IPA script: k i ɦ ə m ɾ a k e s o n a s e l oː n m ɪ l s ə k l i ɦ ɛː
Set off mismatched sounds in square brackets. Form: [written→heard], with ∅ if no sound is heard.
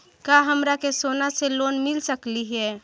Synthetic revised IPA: k [i→a] ɦ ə m ɾ a k e s o n a s e l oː n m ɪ l s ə k l i ɦ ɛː